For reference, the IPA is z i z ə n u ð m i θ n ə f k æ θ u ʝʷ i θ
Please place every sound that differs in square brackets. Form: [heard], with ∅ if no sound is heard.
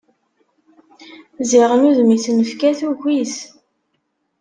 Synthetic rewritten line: z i [ʁ] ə n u ð m i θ n ə f k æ θ u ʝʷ i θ